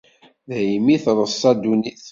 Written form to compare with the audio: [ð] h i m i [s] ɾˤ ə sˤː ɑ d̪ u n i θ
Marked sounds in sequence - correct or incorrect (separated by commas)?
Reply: correct, incorrect